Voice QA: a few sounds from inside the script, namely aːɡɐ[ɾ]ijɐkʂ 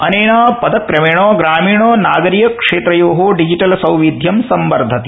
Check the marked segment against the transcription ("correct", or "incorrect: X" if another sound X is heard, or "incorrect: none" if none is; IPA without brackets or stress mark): correct